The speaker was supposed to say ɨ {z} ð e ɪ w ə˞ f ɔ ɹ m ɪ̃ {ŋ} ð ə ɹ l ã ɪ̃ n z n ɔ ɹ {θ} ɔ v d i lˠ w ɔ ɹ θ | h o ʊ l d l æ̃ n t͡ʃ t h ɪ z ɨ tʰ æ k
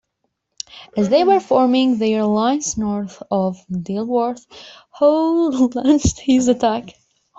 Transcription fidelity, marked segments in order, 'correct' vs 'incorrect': correct, correct, correct

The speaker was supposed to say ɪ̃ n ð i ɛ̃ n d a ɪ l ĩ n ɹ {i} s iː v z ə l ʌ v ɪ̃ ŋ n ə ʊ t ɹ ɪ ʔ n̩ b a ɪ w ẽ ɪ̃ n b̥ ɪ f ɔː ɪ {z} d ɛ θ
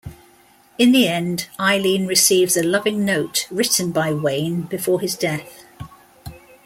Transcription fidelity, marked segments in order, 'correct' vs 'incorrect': incorrect: ɪ, correct

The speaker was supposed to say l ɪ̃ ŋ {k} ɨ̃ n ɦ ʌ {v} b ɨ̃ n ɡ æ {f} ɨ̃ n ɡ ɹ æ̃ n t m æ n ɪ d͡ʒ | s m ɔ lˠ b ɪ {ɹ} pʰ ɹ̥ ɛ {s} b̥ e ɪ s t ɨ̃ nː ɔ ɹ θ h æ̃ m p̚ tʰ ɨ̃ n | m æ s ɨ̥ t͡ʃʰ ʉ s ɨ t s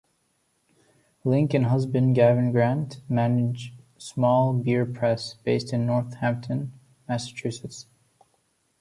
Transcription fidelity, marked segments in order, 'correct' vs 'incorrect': correct, incorrect: z, incorrect: v, correct, correct

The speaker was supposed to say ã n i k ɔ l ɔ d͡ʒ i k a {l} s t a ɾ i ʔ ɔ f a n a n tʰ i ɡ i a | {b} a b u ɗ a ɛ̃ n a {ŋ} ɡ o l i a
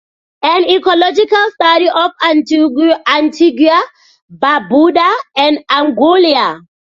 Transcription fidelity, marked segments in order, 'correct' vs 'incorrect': correct, correct, correct

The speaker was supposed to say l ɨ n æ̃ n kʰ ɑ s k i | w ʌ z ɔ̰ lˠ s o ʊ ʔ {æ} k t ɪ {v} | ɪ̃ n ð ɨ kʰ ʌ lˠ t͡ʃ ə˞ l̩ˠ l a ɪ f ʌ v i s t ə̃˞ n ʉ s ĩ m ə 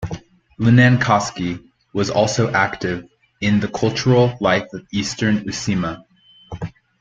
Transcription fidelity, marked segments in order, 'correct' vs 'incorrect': correct, correct

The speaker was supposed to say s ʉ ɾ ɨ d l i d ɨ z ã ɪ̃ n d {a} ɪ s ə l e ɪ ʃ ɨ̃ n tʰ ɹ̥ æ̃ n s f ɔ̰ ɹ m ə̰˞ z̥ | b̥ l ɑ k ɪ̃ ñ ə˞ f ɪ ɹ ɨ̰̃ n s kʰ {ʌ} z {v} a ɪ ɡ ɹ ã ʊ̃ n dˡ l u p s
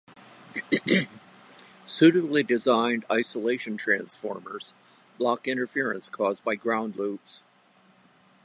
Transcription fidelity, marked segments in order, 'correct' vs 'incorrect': correct, incorrect: ɔ, incorrect: b

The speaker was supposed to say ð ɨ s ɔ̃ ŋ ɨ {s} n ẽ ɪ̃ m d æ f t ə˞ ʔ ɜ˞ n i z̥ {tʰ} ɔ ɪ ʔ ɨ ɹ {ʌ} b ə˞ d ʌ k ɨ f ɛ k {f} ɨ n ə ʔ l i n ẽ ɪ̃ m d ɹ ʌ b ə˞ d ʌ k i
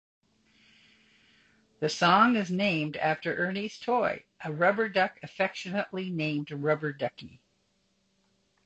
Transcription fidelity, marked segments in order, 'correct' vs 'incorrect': incorrect: z, correct, correct, incorrect: ʃ

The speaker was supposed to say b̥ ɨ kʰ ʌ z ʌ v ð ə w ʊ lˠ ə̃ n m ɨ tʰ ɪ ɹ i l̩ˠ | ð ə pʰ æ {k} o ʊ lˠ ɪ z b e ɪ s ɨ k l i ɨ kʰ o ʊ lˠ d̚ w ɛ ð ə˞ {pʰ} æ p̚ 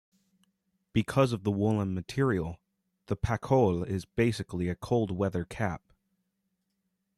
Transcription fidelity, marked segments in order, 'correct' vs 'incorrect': incorrect: kʰ, incorrect: kʰ

